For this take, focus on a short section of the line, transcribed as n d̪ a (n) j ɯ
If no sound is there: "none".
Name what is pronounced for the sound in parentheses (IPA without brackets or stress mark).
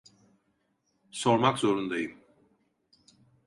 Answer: none